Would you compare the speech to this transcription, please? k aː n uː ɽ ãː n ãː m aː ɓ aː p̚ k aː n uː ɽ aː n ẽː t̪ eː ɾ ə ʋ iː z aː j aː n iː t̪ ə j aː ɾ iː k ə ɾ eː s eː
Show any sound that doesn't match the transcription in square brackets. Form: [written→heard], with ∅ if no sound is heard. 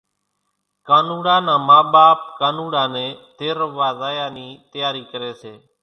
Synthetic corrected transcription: k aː n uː ɽ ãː n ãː m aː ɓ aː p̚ k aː n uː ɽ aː n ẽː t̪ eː ɾ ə ʋ [iː→aː] z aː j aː n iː t̪ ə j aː ɾ iː k ə ɾ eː s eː